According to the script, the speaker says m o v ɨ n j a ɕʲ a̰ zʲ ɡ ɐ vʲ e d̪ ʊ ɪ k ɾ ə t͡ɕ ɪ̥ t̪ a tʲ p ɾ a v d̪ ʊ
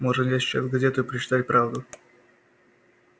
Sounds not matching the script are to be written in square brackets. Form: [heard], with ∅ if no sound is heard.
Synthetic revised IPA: m o [ʐ] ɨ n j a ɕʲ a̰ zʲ ɡ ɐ [zʲ] e [t̪] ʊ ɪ [p] ɾ ə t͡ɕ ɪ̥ t̪ a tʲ p ɾ a v d̪ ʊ